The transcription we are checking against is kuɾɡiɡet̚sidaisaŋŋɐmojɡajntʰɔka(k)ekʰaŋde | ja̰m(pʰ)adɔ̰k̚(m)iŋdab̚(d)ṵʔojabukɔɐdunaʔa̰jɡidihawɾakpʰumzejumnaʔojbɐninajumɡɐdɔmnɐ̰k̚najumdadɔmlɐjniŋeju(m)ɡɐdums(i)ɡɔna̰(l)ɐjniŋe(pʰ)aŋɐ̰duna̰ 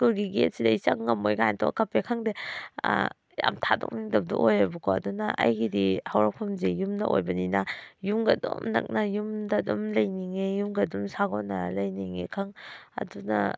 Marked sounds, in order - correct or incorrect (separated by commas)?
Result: incorrect, incorrect, incorrect, correct, correct, incorrect, correct, incorrect